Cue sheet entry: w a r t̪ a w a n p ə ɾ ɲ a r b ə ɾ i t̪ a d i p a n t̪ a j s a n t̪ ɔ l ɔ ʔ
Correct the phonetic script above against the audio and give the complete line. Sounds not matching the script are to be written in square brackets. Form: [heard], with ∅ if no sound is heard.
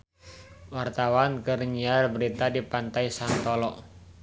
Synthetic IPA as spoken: w a r t̪ a w a n [k] ə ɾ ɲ a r b ə ɾ i t̪ a d i p a n t̪ a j s a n t̪ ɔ l ɔ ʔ